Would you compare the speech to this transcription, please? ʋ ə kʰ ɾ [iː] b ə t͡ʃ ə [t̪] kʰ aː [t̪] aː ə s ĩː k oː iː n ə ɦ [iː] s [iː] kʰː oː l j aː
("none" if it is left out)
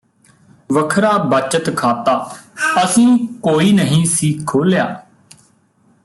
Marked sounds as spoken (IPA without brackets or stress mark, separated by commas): aː, t̪, t̪, ĩː, iː